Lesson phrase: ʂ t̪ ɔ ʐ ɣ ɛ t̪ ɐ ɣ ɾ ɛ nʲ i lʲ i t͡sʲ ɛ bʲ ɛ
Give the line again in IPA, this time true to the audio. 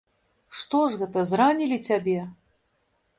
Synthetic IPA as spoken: ʂ t̪ ɔ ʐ ɣ ɛ t̪ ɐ z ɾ a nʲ i lʲ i t͡sʲ a bʲ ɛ